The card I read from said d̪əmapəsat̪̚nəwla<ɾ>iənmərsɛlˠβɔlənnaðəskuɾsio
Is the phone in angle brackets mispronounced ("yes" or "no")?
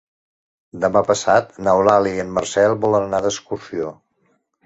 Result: yes